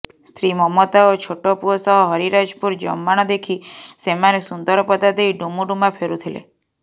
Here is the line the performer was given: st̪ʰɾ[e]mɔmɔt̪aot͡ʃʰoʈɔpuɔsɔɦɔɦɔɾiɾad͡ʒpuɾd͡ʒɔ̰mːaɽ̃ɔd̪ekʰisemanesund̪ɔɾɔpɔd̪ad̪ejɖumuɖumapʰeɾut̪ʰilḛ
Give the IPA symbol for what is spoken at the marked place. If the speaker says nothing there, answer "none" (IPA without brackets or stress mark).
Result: i